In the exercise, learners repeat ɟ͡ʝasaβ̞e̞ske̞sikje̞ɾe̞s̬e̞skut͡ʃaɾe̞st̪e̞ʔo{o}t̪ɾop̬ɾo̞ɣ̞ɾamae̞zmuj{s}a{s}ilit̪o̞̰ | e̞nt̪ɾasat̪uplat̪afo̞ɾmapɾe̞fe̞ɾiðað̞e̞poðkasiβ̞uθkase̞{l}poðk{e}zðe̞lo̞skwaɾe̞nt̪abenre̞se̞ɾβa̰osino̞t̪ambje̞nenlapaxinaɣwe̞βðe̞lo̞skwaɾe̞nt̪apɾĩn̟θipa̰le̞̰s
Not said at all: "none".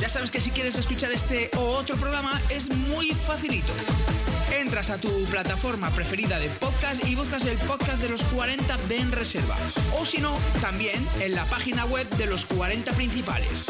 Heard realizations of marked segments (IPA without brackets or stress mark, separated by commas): o, f, θ, l, a